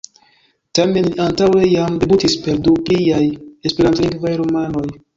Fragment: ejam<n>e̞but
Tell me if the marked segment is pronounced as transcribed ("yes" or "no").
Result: no